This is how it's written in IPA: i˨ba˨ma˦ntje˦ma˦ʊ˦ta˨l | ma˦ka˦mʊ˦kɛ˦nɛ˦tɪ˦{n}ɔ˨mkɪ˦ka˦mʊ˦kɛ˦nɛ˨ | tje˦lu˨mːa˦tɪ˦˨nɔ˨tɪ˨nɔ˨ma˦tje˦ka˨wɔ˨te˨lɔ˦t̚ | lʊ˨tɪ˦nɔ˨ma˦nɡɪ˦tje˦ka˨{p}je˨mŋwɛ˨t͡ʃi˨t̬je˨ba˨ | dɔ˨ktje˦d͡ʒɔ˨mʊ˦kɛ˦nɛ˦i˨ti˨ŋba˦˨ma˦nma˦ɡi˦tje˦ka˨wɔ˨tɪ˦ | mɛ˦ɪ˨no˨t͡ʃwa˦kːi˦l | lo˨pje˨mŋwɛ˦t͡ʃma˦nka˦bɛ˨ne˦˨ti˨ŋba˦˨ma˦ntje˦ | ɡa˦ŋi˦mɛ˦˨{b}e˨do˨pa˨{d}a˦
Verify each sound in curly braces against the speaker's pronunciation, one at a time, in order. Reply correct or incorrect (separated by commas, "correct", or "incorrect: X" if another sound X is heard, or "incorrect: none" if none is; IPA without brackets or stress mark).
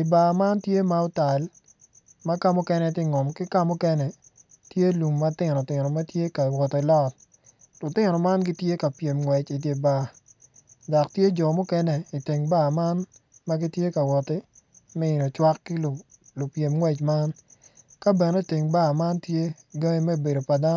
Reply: incorrect: ŋ, correct, correct, correct